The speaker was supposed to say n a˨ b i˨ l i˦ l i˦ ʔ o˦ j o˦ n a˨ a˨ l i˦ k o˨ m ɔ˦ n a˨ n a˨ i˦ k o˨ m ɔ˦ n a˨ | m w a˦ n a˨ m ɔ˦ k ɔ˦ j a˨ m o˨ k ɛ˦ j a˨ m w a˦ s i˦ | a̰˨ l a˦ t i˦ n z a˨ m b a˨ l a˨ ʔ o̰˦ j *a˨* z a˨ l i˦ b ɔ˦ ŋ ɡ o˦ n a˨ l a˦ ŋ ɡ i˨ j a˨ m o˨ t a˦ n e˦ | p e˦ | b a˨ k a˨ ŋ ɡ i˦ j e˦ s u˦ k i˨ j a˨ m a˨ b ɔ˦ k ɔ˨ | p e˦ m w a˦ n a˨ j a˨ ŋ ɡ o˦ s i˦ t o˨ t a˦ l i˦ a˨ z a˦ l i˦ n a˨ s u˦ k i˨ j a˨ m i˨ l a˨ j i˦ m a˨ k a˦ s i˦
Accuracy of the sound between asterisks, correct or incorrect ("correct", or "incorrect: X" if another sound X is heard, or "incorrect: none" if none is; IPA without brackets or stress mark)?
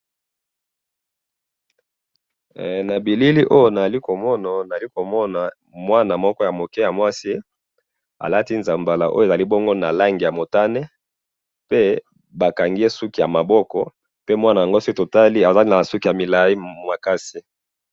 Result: incorrect: e˨